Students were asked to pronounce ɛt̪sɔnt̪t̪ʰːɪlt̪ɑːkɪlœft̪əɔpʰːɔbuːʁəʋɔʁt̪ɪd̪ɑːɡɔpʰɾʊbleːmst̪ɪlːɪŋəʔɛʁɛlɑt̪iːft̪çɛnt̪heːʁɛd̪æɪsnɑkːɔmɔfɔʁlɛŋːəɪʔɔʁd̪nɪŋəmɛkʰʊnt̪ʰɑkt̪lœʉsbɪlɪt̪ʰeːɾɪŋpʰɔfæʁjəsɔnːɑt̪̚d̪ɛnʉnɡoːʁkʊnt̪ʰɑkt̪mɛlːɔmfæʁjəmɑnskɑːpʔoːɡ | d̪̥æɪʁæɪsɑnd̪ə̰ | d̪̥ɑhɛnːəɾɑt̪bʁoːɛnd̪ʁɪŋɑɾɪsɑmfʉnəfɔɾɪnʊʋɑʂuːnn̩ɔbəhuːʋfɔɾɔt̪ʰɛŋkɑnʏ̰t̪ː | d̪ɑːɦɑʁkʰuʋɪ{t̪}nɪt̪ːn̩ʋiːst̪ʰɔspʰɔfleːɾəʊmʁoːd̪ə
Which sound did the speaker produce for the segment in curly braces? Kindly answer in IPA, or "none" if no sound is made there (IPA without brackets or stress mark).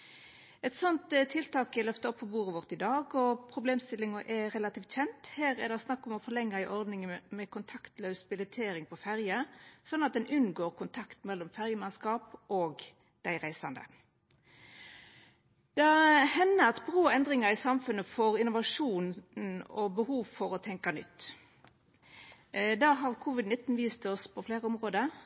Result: d̪